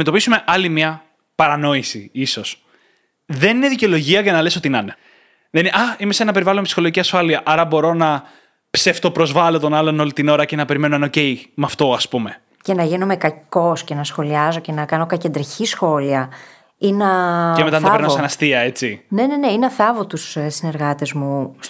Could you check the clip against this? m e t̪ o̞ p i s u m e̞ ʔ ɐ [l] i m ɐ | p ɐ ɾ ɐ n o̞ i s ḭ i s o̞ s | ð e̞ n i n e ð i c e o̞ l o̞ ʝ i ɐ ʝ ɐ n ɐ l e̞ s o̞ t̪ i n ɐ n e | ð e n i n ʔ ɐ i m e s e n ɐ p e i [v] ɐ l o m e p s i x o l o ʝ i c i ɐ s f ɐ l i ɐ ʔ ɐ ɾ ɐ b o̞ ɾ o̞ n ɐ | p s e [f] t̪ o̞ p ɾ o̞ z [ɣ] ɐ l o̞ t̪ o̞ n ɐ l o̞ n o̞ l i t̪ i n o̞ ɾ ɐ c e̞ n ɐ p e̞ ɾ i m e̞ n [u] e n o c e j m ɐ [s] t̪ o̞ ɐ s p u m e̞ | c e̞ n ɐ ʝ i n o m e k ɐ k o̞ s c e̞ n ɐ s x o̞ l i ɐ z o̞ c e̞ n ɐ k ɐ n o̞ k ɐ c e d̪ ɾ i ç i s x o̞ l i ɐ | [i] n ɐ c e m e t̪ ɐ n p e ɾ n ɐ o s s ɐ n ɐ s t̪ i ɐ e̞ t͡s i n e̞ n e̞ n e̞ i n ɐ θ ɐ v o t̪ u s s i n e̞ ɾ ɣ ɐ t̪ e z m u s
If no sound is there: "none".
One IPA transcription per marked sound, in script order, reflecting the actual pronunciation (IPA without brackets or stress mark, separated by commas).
l, v, f, v, o, f, i